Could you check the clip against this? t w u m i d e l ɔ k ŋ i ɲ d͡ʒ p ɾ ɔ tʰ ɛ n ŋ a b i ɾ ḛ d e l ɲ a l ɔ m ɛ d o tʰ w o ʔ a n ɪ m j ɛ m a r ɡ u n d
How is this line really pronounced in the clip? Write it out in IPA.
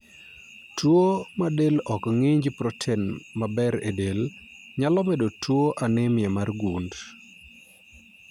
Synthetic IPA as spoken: t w o m a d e l ɔ k ŋ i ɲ d͡ʒ p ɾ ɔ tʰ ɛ n m a b ɛ ɾ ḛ d e l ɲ a l ɔ m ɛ d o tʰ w o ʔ a n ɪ m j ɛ m a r ɡ u n d